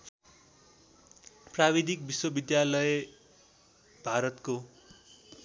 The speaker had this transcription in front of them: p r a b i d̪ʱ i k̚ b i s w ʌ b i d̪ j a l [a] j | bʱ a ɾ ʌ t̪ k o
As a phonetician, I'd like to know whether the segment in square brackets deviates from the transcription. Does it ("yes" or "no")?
yes